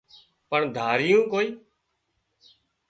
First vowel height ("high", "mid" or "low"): mid